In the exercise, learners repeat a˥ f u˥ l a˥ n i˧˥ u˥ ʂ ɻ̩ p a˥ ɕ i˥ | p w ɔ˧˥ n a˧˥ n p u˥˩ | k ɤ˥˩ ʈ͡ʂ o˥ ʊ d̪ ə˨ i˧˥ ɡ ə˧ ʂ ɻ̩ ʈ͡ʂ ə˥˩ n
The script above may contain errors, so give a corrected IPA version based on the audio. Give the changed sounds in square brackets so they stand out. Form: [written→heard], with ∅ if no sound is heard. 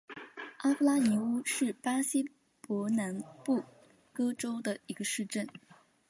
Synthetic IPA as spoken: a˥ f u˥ l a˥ n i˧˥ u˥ ʂ ɻ̩ p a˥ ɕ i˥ | p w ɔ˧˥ n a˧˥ n p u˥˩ | k [ɤ˥˩→ɤ˥] ʈ͡ʂ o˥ ʊ d̪ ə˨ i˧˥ ɡ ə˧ ʂ ɻ̩ ʈ͡ʂ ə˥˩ n